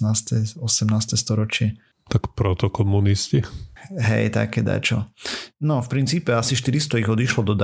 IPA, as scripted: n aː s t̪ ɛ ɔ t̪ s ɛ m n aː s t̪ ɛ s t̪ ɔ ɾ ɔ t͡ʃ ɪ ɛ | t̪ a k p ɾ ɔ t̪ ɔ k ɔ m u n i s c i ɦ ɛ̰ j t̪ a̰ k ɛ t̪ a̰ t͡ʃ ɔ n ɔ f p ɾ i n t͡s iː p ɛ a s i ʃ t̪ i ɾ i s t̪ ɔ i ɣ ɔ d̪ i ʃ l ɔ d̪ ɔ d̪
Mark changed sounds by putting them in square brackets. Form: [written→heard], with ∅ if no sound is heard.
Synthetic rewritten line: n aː s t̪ ɛ ɔ [t̪→∅] s ɛ m n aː s t̪ ɛ s t̪ ɔ ɾ ɔ t͡ʃ ɪ ɛ | t̪ a k p ɾ ɔ t̪ ɔ k ɔ m u n i s c i ɦ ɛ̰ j t̪ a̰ k ɛ [t̪→d̪] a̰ t͡ʃ ɔ n ɔ f p ɾ i n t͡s iː p ɛ a s i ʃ t̪ i ɾ i s t̪ ɔ i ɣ ɔ d̪ i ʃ l ɔ d̪ ɔ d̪